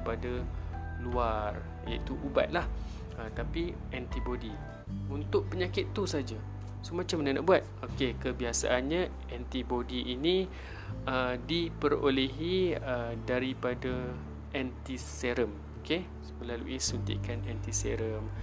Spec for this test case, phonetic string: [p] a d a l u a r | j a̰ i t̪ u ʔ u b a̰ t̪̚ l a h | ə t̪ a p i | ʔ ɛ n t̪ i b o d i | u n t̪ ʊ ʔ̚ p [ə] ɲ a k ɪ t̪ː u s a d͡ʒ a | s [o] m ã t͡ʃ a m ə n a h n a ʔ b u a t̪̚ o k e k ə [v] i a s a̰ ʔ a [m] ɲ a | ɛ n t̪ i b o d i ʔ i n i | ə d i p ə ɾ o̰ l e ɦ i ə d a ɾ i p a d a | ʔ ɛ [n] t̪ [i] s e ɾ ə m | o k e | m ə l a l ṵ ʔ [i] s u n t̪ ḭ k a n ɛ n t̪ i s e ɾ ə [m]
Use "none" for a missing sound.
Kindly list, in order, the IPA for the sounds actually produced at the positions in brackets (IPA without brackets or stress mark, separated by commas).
p, ə, o, b, n, n, i, i, m